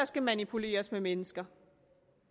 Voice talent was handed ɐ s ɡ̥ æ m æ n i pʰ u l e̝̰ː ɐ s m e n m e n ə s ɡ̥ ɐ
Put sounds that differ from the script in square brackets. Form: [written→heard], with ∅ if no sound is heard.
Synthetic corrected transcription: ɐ s ɡ̥ æ m æ n i pʰ u l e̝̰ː ɐ s m e [n→∅] m e n ə s ɡ̥ ɐ